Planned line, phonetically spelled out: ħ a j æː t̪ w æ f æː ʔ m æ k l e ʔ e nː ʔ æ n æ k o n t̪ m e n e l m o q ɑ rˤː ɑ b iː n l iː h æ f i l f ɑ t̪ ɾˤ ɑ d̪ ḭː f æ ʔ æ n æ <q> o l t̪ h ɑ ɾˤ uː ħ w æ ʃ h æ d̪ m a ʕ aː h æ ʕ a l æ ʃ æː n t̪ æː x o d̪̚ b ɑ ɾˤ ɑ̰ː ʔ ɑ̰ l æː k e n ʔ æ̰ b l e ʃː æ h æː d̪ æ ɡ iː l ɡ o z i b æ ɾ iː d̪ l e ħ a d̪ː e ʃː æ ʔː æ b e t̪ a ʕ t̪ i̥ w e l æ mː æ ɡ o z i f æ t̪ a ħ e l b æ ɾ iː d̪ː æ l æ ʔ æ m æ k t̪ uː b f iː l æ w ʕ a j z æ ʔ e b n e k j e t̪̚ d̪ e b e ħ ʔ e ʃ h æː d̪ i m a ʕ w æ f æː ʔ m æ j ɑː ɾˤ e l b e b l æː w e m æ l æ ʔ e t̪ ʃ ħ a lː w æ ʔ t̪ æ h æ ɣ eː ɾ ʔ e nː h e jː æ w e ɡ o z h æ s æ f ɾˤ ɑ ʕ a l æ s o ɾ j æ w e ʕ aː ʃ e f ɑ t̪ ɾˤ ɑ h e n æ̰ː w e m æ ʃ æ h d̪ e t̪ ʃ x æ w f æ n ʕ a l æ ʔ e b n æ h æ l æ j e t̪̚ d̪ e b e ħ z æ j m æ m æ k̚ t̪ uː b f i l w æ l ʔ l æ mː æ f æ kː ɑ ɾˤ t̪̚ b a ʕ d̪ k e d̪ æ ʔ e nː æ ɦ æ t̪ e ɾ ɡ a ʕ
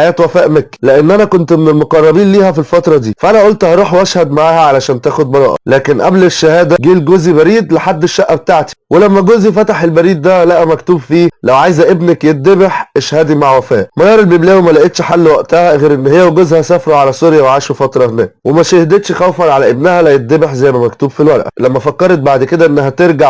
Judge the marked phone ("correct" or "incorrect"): incorrect